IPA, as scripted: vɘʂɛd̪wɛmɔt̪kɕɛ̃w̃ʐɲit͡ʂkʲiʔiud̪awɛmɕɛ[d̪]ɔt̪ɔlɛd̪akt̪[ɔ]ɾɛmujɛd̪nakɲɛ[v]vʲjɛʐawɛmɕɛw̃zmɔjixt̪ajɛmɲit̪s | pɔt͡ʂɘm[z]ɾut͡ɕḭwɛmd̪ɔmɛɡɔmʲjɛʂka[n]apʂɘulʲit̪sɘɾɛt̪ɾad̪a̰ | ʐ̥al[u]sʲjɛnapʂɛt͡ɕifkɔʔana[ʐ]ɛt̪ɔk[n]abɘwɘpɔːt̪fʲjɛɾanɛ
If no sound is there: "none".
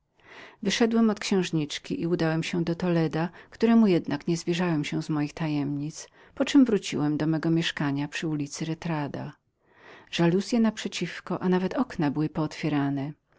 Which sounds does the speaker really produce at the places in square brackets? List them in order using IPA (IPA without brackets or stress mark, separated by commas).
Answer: d̪, u, z, v, ɲ, u, v, n